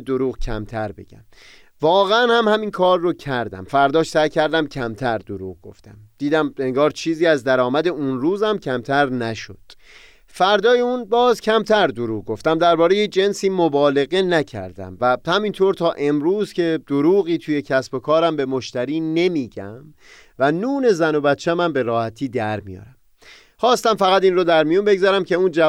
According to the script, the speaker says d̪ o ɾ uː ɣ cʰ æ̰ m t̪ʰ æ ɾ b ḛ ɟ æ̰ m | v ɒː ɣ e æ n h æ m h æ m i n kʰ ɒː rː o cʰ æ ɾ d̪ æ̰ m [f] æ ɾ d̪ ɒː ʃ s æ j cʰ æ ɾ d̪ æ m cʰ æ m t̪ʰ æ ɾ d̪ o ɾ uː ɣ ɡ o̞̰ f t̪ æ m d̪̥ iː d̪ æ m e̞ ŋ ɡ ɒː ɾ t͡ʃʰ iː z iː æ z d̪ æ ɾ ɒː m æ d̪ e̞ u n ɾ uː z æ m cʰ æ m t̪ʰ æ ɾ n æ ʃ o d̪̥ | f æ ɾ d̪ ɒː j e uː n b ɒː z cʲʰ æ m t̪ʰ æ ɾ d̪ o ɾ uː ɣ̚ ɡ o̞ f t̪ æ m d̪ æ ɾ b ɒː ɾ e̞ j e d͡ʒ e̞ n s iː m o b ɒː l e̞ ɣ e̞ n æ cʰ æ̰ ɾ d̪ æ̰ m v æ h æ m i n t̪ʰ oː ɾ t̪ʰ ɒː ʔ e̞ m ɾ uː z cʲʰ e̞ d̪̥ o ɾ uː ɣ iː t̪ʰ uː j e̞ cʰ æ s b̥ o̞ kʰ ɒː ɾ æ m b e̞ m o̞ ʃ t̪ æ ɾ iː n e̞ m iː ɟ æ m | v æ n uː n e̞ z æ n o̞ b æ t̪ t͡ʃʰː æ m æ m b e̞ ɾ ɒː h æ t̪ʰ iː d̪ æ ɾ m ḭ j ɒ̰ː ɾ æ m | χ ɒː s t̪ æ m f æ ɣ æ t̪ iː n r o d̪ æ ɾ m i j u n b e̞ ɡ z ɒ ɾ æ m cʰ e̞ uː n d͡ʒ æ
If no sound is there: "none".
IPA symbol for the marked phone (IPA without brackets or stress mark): f